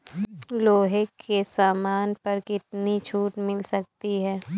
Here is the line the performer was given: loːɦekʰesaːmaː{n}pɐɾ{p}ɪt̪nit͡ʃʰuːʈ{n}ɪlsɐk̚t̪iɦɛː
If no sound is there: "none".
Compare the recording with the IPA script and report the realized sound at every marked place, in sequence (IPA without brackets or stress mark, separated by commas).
n, k, m